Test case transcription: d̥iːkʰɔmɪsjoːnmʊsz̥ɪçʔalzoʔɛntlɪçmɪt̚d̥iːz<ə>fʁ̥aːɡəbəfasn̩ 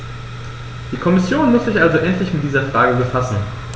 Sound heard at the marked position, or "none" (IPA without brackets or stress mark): ɐ